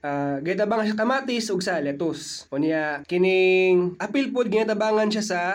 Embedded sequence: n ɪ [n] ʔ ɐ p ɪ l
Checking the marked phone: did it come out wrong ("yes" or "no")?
yes